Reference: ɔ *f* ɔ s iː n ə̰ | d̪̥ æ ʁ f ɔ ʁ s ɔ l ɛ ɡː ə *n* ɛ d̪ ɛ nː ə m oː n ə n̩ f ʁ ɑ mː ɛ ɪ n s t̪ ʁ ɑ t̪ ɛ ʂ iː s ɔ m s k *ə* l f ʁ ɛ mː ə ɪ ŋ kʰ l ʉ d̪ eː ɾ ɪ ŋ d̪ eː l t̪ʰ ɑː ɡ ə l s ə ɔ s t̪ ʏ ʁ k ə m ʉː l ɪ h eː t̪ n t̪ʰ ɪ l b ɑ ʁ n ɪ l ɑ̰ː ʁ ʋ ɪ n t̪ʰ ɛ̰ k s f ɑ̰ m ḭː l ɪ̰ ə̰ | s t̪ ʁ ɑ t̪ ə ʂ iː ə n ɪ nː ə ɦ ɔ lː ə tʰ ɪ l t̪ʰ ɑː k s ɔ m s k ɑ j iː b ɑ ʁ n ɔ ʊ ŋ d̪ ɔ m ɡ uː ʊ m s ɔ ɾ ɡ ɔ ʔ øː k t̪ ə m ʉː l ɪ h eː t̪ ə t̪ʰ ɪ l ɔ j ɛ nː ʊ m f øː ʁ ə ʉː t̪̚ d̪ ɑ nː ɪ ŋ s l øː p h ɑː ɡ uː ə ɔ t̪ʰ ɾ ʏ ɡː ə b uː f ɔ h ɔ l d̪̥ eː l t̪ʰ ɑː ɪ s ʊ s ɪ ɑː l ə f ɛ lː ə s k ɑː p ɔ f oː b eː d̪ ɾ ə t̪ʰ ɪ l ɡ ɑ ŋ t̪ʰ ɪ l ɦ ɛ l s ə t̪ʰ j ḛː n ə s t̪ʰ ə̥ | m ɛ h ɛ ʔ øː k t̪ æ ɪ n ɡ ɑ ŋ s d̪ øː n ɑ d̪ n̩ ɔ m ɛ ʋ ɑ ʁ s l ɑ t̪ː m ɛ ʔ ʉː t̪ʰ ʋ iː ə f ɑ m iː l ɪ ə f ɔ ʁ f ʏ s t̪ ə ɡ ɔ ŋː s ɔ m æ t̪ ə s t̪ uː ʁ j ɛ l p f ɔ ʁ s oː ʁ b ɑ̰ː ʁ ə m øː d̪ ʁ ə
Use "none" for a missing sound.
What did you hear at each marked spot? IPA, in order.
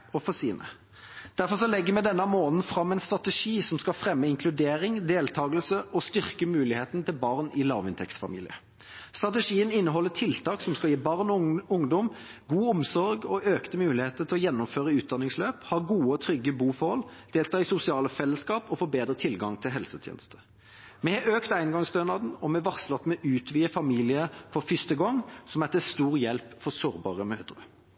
f, m, ɑ

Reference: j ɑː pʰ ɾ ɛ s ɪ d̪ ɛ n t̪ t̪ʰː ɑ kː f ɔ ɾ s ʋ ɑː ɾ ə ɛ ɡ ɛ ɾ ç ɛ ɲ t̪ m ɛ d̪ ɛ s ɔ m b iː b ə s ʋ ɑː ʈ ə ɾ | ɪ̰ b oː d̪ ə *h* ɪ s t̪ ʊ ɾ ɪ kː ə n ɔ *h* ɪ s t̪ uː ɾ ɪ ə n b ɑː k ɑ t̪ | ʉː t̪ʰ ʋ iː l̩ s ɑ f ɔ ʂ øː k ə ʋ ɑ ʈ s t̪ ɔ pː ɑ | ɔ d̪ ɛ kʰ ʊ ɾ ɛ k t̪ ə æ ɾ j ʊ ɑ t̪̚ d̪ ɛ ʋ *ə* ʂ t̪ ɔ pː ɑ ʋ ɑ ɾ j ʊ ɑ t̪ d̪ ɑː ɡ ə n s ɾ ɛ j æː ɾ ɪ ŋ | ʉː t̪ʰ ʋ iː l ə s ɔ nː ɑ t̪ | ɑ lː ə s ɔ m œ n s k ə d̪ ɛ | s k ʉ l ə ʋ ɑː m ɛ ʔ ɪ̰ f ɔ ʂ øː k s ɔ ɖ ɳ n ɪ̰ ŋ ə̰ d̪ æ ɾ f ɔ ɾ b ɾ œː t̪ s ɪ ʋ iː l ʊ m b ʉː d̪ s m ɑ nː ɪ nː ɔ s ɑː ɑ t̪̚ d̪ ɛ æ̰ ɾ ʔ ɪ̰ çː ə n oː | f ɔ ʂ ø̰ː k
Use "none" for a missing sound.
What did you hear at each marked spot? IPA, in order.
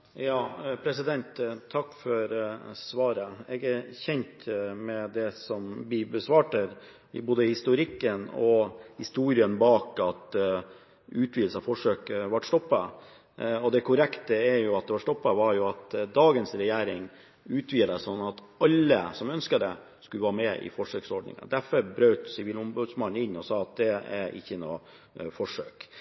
h, h, ɑ

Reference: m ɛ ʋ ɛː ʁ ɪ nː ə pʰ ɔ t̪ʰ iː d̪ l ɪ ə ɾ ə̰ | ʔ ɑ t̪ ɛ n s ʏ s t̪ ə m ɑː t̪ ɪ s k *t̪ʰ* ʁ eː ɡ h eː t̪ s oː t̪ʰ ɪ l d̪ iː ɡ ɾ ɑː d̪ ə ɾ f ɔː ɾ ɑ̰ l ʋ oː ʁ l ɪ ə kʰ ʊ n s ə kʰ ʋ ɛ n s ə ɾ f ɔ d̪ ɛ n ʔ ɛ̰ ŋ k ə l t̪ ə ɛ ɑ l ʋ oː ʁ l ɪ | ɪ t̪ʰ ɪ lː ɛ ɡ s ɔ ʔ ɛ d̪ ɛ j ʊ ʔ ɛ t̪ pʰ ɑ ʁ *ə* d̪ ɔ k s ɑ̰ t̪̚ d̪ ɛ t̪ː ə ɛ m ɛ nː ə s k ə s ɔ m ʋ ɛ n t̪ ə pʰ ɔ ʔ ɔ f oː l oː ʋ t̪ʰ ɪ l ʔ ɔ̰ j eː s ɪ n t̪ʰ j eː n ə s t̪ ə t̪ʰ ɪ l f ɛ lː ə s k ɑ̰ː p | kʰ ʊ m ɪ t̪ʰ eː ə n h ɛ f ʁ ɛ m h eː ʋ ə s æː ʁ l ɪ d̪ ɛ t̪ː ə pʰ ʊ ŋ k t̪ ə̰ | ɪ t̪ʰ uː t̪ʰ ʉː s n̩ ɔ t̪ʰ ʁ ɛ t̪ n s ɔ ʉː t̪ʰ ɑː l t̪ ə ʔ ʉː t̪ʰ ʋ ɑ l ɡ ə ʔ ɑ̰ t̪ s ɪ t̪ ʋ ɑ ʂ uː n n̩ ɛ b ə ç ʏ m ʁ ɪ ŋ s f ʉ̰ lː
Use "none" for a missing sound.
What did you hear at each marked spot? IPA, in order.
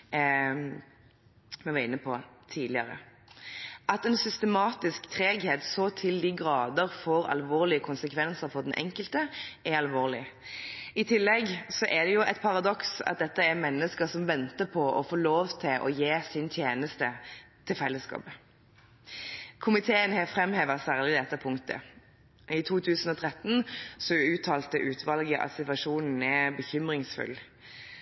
t̪ʰ, ɑ

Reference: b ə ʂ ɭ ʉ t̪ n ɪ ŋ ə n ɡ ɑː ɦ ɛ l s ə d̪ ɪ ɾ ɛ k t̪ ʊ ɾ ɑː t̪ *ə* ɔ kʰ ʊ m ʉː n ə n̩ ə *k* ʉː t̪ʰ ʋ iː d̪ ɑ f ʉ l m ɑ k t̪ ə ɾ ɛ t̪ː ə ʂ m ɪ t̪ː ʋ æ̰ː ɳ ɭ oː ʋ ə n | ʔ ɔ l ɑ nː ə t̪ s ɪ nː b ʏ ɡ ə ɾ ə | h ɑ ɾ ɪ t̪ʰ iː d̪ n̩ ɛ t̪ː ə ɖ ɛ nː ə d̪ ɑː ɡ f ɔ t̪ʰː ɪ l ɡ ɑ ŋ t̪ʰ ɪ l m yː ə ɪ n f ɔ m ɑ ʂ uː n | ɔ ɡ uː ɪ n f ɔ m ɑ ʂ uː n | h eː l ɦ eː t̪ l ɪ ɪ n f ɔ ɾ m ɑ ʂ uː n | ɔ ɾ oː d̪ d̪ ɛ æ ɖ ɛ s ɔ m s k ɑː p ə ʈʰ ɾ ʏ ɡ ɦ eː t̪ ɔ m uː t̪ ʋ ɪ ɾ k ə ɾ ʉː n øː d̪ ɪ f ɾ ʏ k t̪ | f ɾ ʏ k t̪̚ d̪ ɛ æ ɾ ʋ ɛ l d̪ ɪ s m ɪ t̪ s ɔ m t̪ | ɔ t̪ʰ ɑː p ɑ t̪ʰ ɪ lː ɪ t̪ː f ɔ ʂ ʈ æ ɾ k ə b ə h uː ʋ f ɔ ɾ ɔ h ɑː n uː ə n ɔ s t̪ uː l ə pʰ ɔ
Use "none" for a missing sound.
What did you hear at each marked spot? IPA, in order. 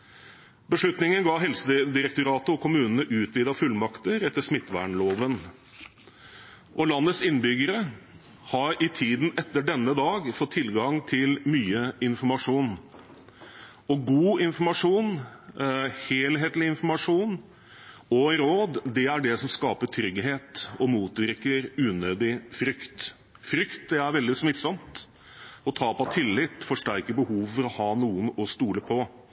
ə, ʔ

